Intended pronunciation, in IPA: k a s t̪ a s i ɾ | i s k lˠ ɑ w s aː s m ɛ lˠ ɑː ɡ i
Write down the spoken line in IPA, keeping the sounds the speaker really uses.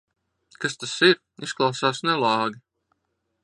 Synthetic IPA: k a s t̪ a s i ɾ | i s k lˠ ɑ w s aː s n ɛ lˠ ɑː ɡ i

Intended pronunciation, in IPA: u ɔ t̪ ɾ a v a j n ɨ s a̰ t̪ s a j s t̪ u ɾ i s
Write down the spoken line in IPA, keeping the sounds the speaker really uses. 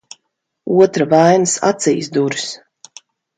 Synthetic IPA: u ɔ t̪ ɾ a v a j n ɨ s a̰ t̪ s i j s d̪ u ɾ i s

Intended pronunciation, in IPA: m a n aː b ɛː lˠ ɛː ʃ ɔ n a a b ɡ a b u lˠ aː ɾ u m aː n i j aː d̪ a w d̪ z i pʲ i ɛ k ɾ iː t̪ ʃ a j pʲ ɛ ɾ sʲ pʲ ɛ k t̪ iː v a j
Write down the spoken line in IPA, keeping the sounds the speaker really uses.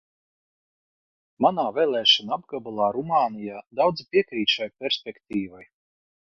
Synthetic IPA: m a n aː v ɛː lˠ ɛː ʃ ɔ n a a b ɡ a b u lˠ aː ɾ u m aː n i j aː d̪ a w d̪ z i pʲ i ɛ k ɾ iː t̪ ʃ a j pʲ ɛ ɾ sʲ pʲ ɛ k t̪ iː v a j

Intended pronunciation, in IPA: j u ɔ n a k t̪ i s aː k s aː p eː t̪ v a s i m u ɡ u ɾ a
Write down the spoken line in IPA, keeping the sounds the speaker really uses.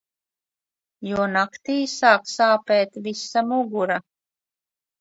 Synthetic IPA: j u ɔ n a k t̪ iː s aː k s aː p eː t̪ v i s a m u ɡ u ɾ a

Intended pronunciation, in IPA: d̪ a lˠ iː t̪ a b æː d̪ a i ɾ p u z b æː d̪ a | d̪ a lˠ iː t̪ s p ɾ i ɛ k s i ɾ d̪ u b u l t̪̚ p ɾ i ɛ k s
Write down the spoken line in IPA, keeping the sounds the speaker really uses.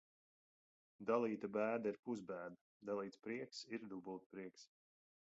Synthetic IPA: d̪ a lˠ iː t̪ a b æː d̪ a i ɾ p u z b æː d̪ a | d̪ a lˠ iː t̪ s p ɾ i ɛ k s i ɾ d̪ u b u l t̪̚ p ɾ i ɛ k s

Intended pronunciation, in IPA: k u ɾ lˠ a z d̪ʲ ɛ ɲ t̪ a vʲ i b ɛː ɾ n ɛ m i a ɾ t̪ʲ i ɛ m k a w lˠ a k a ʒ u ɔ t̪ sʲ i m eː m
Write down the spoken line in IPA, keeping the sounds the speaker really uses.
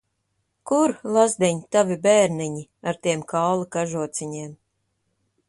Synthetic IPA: k u ɾ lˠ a z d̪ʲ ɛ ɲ t̪ a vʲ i b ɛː ɾ n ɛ ɲ i a ɾ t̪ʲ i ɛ m k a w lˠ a k a ʒ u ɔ t̪ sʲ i ɲ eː m

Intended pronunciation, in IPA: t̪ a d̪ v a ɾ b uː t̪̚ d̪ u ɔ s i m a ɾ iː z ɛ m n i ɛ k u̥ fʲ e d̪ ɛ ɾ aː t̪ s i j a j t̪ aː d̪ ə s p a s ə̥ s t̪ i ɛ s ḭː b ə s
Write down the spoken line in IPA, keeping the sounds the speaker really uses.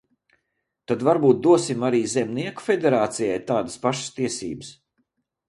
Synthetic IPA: t̪ a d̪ v a ɾ b uː t̪̚ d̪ u ɔ s i m a ɾ iː z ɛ m n i ɛ k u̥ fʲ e d̪ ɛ ɾ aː t̪ s i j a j t̪ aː d̪ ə s p a ʃ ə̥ s t̪ i ɛ s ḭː b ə s

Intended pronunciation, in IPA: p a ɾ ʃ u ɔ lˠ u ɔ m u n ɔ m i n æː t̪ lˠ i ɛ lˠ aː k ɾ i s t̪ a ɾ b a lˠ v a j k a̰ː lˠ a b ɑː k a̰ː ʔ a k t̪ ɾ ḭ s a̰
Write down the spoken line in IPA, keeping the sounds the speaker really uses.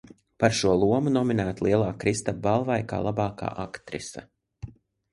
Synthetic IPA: p a ɾ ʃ u ɔ lˠ u ɔ m u n ɔ m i n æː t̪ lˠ i ɛ lˠ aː k ɾ i s t̪ a b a lˠ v a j k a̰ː lˠ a b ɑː k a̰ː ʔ a k t̪ ɾ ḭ s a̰

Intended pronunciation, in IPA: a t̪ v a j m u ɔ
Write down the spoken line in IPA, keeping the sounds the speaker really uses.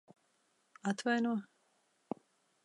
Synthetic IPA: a t̪ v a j n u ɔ

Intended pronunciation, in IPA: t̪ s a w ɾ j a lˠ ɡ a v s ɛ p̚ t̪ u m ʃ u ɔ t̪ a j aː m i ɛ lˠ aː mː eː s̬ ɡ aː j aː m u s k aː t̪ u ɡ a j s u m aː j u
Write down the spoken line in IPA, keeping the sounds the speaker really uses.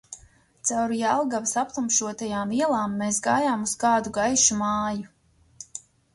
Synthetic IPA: t̪ s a w ɾ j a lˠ ɡ a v s a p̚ t̪ u m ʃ u ɔ t̪ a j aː m i ɛ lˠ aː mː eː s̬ ɡ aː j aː m u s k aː d̪ u ɡ a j ʃ u m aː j u

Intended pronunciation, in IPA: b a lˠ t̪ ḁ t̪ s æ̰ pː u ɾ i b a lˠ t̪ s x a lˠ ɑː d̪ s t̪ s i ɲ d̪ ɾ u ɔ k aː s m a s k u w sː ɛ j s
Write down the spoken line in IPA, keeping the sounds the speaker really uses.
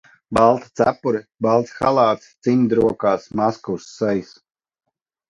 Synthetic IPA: b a lˠ t̪ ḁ t̪ s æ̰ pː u ɾ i b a lˠ t̪ s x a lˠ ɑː t̪ s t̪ s i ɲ d̪ ɾ u ɔ k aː s m a s k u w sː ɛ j s

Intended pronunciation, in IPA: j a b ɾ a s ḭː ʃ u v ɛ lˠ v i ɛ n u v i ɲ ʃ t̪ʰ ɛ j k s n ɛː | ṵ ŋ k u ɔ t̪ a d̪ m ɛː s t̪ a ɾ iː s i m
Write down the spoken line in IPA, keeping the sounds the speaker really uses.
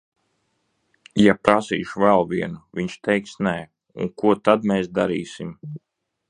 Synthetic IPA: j a p ɾ a s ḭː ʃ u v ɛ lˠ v i ɛ n u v i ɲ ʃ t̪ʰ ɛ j k s n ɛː | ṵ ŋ k u ɔ t̪ a d̪ m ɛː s d̪ a ɾ iː s i m

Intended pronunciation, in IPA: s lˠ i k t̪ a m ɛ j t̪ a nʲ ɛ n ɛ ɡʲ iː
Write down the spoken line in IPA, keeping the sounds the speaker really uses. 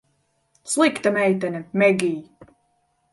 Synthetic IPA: s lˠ i k t̪ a m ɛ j t̪ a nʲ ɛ m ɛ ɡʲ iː

